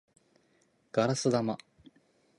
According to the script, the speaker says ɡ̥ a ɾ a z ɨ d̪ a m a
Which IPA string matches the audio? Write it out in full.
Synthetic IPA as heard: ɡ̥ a ɾ a s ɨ d̪ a m a